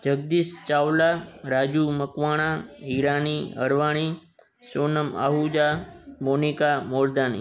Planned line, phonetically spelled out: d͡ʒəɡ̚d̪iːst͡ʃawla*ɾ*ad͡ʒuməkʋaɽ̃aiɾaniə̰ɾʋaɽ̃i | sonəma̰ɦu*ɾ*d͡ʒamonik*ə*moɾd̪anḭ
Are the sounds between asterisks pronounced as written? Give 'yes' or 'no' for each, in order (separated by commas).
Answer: yes, no, no